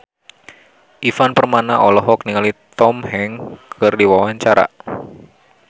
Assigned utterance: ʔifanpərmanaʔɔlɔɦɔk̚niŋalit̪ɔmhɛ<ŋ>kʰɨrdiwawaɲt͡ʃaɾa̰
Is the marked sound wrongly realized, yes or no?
no